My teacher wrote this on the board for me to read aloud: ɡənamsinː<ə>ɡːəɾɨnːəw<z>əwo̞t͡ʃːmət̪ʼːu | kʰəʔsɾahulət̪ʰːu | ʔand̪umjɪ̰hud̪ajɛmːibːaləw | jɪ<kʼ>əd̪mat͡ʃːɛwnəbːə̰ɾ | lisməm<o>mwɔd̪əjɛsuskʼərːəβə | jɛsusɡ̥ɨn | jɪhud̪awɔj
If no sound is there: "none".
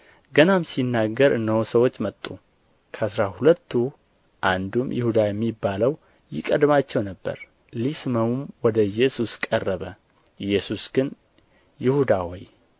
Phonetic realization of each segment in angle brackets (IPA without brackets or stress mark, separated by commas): a, s, kʼ, u